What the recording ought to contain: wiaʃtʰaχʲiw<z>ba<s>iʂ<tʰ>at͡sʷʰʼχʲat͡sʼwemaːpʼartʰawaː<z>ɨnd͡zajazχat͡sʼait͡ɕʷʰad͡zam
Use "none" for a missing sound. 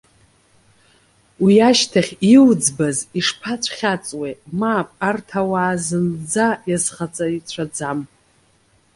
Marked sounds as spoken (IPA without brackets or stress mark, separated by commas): d͡z, z, pʰ, z